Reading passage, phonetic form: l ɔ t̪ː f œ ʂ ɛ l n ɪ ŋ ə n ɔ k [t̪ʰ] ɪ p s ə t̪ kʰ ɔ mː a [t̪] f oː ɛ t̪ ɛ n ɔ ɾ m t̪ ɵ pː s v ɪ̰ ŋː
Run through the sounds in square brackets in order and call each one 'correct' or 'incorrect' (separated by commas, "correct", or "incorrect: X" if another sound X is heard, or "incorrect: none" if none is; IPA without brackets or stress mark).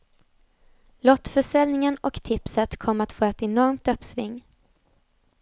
correct, correct